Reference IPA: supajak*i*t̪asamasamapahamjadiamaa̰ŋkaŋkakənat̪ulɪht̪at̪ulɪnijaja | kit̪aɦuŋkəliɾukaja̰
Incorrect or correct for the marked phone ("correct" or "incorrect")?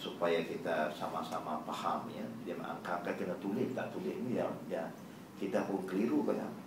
correct